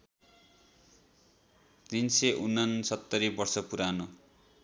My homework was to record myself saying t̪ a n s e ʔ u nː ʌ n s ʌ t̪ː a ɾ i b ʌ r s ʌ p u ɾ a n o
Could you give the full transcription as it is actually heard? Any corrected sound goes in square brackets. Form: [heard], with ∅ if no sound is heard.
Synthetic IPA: t̪ [i] n s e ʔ u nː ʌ n s ʌ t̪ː [ʌ] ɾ i b ʌ r s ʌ p u ɾ a n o